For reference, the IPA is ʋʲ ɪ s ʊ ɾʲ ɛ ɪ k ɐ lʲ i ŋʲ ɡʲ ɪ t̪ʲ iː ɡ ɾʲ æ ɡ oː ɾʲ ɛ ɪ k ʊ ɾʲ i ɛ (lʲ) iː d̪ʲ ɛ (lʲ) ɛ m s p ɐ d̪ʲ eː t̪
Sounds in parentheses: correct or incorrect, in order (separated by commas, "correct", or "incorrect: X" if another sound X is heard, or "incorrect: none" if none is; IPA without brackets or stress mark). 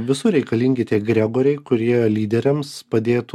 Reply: correct, incorrect: ɾʲ